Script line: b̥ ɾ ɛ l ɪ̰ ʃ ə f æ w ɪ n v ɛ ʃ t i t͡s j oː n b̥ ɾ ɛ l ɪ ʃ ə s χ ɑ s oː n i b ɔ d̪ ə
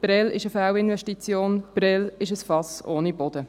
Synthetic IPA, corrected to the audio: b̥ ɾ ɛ l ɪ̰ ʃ ə f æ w ɪ n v ɛ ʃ t i t͡s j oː n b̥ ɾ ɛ l ɪ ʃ ə s f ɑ s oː n i b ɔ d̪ ə